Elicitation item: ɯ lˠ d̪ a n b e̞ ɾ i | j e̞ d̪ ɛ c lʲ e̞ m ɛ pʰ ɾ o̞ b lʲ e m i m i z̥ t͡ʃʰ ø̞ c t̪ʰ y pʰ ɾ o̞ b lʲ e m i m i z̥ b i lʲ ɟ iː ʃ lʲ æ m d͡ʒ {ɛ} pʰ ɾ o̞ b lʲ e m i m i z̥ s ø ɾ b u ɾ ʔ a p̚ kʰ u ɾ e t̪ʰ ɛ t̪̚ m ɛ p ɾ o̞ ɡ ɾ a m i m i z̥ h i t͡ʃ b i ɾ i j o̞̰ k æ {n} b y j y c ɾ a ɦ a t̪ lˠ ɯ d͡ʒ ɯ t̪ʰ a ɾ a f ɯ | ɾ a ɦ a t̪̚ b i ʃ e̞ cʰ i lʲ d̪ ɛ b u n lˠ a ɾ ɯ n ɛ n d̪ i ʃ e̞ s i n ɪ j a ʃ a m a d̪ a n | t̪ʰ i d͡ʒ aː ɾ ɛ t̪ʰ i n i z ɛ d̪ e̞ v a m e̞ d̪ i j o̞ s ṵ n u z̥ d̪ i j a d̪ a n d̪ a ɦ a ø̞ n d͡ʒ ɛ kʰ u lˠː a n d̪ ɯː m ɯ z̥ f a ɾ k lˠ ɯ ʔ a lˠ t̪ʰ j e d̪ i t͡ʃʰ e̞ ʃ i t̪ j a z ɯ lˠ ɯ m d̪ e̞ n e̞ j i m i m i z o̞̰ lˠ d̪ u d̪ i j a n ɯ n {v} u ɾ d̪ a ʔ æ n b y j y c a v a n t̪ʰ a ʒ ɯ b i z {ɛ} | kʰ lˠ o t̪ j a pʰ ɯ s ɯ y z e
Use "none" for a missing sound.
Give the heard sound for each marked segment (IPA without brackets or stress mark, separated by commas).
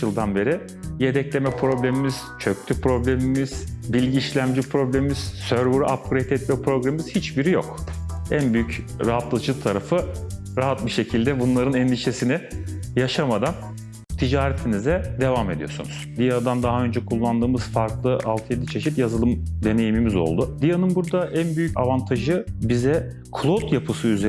i, n, b, ɛ